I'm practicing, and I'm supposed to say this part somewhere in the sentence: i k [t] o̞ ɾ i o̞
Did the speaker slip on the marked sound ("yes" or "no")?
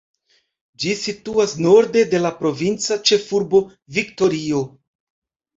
no